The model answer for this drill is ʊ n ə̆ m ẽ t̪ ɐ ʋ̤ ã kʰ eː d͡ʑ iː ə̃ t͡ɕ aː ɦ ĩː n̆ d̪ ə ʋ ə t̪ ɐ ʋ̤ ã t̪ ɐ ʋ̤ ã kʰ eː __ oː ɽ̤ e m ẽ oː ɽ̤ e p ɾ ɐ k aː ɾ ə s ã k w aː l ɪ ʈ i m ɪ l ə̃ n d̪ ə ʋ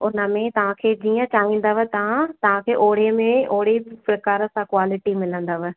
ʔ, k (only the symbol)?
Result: ʔ